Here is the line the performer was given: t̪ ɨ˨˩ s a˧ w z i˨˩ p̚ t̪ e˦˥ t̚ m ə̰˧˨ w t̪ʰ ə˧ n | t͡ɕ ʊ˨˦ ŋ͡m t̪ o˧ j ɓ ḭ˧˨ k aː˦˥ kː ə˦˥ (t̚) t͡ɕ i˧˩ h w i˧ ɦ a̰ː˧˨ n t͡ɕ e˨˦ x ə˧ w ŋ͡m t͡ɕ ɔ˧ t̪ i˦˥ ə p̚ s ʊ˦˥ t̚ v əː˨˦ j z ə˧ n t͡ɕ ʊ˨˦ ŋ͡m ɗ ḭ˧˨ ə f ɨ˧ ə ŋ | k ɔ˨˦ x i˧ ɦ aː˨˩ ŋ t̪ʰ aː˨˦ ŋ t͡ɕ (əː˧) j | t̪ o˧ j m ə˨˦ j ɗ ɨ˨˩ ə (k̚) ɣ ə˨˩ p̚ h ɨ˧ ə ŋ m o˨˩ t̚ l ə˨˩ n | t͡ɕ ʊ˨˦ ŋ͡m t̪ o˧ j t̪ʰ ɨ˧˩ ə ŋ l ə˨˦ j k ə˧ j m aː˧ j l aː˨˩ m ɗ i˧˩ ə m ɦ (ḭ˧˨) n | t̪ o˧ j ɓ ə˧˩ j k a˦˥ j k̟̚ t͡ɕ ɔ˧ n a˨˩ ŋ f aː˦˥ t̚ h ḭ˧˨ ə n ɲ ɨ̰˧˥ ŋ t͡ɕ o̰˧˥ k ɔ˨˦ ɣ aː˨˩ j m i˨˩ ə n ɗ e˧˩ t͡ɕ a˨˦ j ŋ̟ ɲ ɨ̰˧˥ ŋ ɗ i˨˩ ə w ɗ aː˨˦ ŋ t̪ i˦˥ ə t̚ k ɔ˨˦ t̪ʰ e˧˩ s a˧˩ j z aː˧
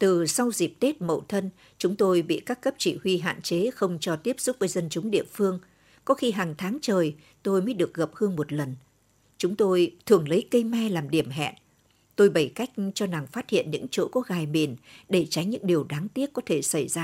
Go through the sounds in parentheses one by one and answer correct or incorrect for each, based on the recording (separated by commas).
incorrect, incorrect, correct, incorrect